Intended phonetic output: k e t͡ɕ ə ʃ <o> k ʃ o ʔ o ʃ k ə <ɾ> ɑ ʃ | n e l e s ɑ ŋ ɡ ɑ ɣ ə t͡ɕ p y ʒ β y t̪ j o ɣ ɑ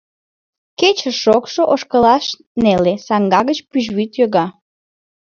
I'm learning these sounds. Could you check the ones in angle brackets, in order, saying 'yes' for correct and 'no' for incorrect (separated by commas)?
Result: yes, no